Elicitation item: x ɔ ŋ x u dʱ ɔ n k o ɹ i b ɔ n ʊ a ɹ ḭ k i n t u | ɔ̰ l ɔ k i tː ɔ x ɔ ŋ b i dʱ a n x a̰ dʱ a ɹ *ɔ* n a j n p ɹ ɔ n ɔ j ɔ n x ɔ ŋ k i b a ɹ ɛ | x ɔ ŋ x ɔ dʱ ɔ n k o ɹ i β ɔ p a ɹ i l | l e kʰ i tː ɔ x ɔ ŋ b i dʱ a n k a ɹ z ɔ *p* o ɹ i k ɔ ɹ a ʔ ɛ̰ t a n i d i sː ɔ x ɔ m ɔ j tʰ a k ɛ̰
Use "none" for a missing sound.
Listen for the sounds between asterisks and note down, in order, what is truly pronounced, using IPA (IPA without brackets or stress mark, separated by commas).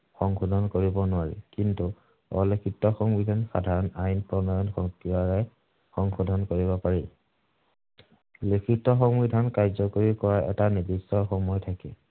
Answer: ɔ, k